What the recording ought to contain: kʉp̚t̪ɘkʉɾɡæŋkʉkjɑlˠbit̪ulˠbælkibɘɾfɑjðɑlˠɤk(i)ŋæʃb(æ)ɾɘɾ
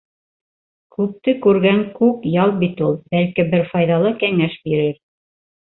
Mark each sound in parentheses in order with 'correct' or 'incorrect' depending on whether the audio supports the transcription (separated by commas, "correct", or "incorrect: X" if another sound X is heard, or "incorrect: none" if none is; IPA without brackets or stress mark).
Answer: incorrect: æ, incorrect: i